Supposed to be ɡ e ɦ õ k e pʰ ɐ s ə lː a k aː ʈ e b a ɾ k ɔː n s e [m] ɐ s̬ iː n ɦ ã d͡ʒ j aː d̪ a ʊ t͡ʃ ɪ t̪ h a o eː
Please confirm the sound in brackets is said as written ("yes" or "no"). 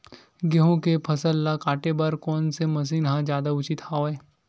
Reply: yes